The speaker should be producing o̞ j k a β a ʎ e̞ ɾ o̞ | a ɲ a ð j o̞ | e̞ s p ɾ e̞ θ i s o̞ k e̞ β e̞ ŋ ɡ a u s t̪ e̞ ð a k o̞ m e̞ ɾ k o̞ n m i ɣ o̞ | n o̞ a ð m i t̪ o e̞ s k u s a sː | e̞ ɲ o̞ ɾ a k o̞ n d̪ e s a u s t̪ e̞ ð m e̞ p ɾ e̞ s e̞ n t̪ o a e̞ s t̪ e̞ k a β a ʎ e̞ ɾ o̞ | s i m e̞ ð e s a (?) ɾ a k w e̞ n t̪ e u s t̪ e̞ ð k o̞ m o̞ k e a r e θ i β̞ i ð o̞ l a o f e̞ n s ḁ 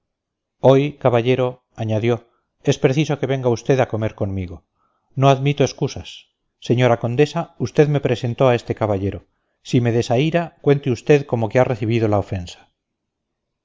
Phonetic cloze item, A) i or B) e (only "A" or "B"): A